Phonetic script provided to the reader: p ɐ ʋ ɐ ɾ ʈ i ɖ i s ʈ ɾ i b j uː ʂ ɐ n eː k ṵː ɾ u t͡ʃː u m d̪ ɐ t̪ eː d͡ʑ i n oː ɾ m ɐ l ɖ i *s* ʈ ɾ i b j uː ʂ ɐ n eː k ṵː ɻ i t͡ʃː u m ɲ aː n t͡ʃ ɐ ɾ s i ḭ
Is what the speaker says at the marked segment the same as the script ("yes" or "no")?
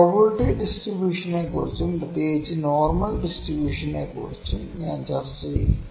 yes